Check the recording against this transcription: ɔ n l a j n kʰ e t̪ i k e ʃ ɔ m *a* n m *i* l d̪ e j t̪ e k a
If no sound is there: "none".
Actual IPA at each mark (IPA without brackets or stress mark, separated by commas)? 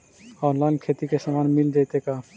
a, i